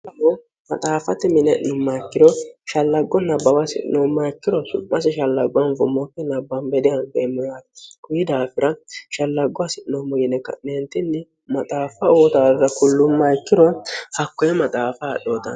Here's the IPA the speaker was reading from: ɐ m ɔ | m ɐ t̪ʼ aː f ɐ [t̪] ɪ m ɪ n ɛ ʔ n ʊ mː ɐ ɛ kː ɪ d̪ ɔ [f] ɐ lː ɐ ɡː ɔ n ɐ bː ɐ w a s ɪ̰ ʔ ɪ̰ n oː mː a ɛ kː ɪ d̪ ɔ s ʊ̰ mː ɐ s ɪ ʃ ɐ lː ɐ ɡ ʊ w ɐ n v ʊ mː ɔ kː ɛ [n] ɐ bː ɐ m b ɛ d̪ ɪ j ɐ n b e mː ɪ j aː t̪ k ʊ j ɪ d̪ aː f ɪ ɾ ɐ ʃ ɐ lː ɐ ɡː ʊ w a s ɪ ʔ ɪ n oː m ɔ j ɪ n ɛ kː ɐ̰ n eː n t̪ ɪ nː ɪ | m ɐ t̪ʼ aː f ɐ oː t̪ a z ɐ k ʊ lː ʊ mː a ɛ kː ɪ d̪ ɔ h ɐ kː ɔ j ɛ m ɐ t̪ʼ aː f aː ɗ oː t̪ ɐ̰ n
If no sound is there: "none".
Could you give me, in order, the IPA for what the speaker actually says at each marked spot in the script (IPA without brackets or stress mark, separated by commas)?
t̪, ʃ, n